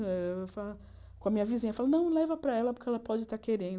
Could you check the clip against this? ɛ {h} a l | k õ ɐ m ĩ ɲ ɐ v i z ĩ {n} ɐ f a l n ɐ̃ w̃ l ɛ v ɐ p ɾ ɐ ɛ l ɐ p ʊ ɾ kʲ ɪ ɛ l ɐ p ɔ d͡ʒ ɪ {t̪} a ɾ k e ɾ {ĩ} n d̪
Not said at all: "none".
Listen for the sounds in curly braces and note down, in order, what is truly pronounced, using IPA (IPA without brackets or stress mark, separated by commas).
f, ɲ, t̪, ẽ